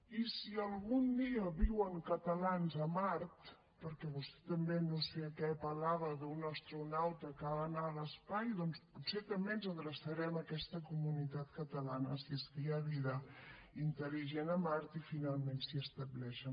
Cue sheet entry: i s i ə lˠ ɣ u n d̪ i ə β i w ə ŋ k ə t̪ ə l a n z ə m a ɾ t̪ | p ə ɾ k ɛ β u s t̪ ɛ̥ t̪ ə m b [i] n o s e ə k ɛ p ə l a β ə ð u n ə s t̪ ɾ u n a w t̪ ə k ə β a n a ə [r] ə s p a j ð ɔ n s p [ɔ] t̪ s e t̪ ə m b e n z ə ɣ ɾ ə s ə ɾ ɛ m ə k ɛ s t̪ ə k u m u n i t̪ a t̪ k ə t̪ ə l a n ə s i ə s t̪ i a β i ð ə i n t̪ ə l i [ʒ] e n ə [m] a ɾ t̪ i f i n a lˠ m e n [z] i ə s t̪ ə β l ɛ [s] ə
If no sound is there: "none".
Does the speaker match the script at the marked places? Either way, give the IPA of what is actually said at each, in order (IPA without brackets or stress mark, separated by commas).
e, l, u, ʒ, m, s, ʃ